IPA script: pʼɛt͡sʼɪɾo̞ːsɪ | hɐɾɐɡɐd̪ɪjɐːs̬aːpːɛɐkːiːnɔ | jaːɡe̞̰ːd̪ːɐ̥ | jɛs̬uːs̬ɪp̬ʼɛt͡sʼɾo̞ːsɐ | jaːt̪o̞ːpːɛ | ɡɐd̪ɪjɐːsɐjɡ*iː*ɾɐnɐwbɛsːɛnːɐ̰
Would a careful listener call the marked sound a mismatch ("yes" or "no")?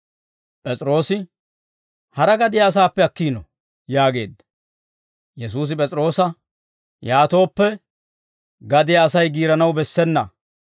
no